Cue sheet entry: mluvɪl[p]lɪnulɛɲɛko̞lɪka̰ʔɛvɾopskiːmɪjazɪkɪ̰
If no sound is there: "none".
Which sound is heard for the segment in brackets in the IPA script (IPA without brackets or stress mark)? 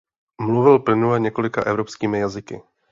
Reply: p